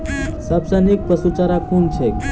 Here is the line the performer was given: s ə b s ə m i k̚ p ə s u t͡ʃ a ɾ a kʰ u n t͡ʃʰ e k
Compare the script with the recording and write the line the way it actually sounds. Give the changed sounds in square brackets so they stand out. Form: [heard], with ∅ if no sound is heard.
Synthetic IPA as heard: s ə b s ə [n] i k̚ p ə s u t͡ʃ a ɾ a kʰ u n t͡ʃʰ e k